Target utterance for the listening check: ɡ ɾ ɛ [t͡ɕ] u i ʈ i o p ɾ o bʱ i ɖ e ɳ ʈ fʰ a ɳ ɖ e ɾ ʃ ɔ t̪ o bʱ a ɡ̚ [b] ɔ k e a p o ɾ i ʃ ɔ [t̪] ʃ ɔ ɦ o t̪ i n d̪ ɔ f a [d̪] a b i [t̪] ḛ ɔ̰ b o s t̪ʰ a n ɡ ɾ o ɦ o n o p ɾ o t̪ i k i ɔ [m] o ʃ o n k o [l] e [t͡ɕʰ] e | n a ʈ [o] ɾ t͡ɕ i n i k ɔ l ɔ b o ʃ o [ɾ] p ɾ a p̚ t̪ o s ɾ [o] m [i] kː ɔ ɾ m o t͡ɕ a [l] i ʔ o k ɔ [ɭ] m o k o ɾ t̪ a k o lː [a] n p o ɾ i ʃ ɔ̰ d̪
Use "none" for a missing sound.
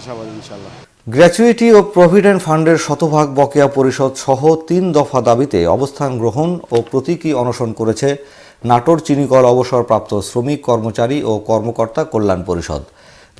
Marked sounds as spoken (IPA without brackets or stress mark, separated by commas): t͡ɕ, b, d̪, d̪, t̪, n, ɾ, t͡ɕʰ, o, ɾ, o, i, ɾ, ɾ, a